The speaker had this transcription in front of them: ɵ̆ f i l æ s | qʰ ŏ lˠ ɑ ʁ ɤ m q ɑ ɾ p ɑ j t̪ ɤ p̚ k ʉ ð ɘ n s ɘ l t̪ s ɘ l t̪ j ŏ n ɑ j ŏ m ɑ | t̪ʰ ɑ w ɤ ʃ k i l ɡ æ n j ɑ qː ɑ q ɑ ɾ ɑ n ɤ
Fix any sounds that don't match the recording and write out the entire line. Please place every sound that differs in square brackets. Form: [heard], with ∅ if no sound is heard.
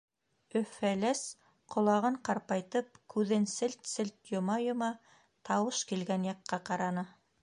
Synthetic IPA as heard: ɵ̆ f [æ] l æ s | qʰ ŏ lˠ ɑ ʁ ɤ [ɴ] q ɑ ɾ p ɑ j t̪ ɤ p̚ k ʉ ð ɘ n s ɘ l t̪ s ɘ l t̪ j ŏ [m] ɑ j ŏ m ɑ | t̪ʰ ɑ w ɤ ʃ k i l ɡ æ n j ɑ qː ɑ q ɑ ɾ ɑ n ɤ